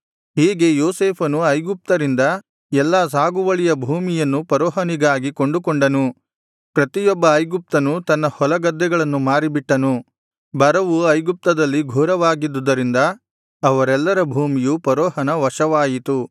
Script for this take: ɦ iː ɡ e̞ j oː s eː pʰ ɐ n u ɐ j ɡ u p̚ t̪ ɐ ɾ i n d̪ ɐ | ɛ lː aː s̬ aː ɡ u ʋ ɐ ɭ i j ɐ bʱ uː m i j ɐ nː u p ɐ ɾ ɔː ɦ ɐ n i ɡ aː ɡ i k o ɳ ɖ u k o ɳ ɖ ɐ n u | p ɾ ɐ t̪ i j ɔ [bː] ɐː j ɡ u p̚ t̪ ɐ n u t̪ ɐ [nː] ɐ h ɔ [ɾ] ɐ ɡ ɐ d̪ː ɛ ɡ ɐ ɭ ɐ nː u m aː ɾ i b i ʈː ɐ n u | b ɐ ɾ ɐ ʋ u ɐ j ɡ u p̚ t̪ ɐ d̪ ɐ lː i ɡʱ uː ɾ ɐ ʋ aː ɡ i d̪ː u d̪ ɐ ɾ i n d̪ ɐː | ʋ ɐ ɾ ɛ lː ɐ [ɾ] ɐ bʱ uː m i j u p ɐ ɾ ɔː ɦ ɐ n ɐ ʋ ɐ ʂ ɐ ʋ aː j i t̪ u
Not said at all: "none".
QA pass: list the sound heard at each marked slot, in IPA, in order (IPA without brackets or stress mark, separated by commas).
bː, nː, l, ɾ